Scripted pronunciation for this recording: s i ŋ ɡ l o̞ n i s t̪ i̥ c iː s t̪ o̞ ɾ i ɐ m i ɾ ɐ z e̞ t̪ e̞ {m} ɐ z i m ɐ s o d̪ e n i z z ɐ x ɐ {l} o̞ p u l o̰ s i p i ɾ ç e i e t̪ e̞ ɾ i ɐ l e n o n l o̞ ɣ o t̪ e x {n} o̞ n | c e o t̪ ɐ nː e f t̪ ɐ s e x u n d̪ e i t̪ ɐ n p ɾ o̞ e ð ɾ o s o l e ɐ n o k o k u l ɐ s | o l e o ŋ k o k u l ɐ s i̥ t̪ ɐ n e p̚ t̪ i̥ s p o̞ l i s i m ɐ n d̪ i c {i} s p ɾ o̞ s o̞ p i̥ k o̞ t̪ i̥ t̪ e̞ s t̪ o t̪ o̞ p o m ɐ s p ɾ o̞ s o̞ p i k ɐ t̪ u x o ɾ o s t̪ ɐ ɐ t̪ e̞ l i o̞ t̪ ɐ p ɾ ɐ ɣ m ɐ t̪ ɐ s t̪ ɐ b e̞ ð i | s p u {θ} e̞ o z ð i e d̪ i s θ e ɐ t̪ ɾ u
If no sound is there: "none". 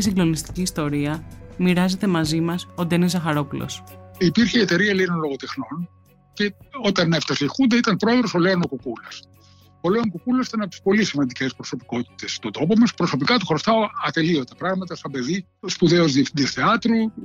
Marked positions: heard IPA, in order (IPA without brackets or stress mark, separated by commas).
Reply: m, ɾ, n, e, ð